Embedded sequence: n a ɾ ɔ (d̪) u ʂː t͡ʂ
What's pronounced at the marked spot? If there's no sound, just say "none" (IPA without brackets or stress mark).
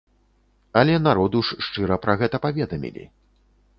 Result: d̪